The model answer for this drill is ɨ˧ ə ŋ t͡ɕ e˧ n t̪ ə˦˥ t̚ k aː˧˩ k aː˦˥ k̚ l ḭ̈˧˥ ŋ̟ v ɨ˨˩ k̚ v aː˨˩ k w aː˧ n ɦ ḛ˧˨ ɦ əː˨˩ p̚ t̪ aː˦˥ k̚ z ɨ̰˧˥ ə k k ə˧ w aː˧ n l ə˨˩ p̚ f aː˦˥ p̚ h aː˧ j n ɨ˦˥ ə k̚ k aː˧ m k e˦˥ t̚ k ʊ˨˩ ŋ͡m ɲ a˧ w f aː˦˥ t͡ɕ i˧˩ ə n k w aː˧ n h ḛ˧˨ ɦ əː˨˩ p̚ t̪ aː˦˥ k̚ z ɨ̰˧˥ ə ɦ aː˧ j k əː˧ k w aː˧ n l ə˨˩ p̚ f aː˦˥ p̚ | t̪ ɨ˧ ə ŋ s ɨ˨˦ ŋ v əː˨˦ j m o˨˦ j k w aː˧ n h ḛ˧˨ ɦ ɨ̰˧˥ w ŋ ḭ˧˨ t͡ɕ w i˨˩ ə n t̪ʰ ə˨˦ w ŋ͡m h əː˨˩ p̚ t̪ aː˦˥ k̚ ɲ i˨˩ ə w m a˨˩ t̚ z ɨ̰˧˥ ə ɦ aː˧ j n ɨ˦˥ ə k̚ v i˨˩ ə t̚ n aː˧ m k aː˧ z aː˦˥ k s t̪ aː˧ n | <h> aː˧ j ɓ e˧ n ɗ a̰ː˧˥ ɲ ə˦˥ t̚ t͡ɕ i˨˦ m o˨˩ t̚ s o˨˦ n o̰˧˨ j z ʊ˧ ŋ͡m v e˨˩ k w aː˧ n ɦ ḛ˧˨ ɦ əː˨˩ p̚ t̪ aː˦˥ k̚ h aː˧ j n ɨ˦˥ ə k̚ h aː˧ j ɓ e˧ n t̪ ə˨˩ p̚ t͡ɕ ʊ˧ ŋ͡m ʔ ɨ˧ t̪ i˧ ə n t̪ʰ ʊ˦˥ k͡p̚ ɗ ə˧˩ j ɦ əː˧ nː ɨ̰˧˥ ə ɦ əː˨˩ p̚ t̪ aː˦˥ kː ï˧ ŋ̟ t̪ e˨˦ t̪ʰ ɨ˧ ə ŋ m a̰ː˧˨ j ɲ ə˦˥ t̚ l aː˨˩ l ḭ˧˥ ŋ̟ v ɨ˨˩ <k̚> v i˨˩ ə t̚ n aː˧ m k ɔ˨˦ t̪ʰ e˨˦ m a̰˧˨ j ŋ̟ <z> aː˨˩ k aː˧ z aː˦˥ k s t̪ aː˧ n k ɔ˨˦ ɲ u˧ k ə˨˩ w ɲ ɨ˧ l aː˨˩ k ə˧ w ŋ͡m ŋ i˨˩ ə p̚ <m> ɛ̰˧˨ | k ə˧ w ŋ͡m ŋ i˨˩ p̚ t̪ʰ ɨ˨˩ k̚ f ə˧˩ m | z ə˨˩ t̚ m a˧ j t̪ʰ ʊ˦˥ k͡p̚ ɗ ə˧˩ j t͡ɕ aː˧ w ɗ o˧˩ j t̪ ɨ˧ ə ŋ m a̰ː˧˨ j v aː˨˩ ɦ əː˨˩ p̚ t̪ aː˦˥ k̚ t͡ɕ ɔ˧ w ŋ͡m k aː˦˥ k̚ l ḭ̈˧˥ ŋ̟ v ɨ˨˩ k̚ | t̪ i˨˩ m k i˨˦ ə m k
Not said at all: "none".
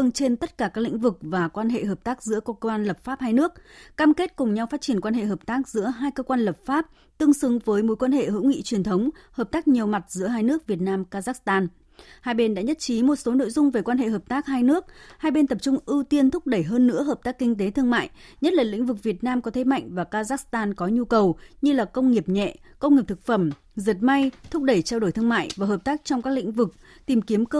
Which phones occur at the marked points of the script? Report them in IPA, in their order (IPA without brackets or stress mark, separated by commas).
h, k̚, v, ɲ